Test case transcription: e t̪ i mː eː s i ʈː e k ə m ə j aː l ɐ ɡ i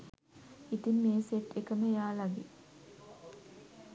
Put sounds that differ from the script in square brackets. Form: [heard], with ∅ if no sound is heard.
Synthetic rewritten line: [i] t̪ i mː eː s [e] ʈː e k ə m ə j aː l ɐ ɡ i